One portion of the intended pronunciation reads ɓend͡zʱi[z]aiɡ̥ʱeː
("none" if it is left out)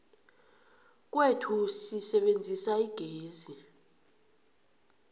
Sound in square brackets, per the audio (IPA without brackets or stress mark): s